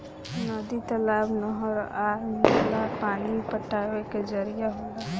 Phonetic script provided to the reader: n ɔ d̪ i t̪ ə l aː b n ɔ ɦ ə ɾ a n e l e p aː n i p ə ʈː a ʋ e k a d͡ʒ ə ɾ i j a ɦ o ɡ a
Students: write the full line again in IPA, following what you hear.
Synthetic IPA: n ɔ d̪ i t̪ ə l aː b n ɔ ɦ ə ɾ a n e l a p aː n i p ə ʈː a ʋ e k e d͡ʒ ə ɾ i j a ɦ o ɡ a